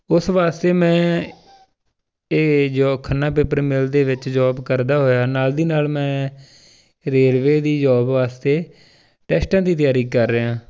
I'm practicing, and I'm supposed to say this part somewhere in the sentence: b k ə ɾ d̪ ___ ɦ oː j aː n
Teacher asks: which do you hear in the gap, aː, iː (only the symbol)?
aː